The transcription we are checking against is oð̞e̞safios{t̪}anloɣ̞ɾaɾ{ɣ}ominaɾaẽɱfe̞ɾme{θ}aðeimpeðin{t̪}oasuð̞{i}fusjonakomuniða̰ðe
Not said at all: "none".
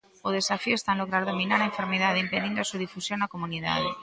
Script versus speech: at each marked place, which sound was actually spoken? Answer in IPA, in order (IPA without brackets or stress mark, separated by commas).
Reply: t̪, ð, ð, d̪, i